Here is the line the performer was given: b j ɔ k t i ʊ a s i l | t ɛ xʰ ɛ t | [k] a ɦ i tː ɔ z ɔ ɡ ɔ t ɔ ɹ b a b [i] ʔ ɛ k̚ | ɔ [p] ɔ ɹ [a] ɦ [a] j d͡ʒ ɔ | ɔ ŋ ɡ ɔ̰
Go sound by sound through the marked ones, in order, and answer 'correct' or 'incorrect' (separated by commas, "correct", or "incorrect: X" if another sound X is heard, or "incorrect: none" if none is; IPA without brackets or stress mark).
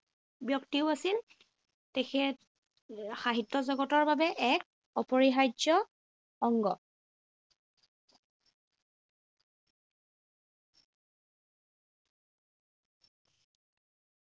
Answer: incorrect: x, incorrect: ɛ, correct, incorrect: i, correct